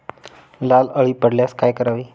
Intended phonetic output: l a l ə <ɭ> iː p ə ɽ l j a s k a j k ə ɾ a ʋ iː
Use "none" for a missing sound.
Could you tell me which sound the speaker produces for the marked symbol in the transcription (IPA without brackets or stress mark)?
ɭ